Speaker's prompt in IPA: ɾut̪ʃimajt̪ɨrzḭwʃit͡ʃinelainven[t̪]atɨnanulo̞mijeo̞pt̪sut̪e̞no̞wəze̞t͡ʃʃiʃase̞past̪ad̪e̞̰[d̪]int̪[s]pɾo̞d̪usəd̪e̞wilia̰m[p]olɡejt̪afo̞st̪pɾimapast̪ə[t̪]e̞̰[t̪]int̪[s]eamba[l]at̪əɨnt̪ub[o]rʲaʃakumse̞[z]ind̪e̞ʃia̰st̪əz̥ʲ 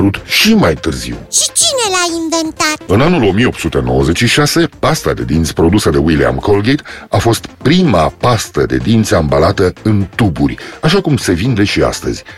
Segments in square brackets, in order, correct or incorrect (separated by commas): correct, correct, correct, incorrect, incorrect, incorrect, correct, correct, incorrect, incorrect